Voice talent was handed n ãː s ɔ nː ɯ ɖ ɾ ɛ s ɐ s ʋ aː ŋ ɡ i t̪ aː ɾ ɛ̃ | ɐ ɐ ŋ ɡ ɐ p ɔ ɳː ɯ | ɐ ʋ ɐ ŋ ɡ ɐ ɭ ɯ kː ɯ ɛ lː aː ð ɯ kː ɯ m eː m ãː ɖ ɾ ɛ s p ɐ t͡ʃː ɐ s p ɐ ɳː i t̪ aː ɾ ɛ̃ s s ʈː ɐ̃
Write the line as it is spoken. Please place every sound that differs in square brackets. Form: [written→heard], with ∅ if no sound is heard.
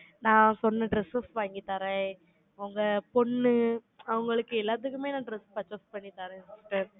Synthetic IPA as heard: n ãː s ɔ nː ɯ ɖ ɾ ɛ s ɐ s ʋ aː ŋ ɡ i t̪ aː ɾ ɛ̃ | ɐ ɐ ŋ ɡ ɐ p ɔ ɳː ɯ | ɐ ʋ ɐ ŋ ɡ ɐ ɭ ɯ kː ɯ ɛ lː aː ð ɯ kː ɯ m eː [m→n] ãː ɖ ɾ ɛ s p ɐ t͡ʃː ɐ s p ɐ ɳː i t̪ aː ɾ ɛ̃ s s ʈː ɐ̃

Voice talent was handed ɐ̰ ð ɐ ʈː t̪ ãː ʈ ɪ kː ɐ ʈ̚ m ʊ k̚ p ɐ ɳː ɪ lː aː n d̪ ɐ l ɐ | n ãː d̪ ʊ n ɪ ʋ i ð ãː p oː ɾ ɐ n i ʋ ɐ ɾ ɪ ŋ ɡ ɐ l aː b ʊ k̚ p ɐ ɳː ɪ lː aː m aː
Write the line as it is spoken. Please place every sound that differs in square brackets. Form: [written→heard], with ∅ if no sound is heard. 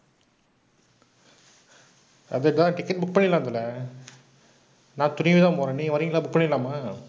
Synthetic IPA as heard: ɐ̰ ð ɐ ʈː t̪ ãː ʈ ɪ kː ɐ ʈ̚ [m→b] ʊ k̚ p ɐ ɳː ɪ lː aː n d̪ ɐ l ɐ | n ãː [d̪→t̪] ʊ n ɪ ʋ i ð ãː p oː ɾ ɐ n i ʋ ɐ ɾ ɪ ŋ ɡ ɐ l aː b ʊ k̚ p ɐ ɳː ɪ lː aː m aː

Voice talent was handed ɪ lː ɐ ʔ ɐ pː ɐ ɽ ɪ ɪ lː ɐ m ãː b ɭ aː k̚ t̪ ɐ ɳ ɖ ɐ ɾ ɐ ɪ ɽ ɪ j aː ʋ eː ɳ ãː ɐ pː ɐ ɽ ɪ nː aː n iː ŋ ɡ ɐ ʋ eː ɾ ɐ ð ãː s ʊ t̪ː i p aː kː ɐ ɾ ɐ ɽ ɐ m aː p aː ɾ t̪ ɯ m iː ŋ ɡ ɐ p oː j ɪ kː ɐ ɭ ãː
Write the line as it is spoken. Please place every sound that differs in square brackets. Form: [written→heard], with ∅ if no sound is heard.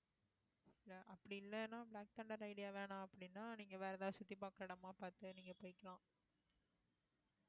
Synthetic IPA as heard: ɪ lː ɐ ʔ ɐ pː ɐ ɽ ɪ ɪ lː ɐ [m→n] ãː b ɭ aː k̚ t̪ ɐ ɳ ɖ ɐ ɾ ɐ ɪ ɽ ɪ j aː ʋ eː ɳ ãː ɐ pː ɐ ɽ ɪ nː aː n iː ŋ ɡ ɐ ʋ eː ɾ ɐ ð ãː s ʊ t̪ː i p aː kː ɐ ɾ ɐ ɽ ɐ m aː p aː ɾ t̪ ɯ [m→n] iː ŋ ɡ ɐ p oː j ɪ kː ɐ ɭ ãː

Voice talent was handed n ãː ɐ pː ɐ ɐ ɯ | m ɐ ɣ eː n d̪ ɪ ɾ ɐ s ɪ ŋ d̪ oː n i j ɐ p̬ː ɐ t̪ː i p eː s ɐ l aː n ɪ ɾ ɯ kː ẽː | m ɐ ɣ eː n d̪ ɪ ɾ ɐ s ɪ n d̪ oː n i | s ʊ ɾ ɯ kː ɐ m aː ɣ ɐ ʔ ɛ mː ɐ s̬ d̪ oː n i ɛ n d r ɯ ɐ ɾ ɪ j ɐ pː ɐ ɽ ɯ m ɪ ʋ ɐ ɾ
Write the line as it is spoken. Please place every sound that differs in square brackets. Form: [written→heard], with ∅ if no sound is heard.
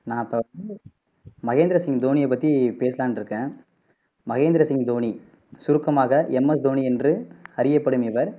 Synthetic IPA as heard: n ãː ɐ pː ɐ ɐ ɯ | m ɐ ɣ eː n d̪ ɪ ɾ ɐ s ɪ ŋ d̪ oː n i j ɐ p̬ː ɐ t̪ː i p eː s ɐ l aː n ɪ ɾ ɯ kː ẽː | m ɐ ɣ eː n d̪ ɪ ɾ ɐ s ɪ [n→ŋ] d̪ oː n i | s ʊ ɾ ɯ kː ɐ m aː ɣ ɐ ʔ ɛ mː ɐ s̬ d̪ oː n i ɛ n d r ɯ ɐ ɾ ɪ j ɐ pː ɐ ɽ ɯ m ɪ ʋ ɐ ɾ

